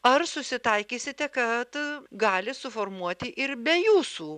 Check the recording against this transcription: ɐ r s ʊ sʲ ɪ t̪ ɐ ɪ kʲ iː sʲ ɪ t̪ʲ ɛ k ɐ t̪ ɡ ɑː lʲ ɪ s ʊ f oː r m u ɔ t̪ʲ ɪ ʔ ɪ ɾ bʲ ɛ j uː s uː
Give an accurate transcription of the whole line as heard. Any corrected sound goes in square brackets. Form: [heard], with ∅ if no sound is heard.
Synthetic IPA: ɐ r s ʊ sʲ ɪ t̪ ɐ ɪ kʲ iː sʲ ɪ t̪ʲ ɛ k ɐ t̪ ɡ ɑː lʲ ɪ s ʊ f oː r m u ɔ t̪ʲ ɪ ʔ ɪ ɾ bʲ ɛ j uː s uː